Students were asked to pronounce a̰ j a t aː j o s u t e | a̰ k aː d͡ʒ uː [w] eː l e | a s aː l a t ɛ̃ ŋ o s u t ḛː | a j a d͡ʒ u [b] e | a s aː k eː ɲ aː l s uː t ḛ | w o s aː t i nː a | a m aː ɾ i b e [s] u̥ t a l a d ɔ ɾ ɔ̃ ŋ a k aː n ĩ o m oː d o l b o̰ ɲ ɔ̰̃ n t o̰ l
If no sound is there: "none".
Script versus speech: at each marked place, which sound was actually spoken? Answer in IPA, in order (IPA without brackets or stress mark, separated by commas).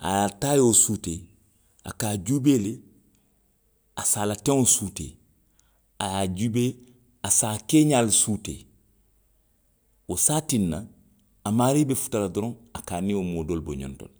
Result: b, b, f